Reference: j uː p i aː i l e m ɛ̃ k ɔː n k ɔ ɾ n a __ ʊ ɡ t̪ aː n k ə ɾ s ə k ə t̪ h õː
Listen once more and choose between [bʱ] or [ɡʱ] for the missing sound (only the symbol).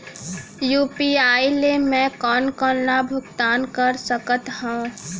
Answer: bʱ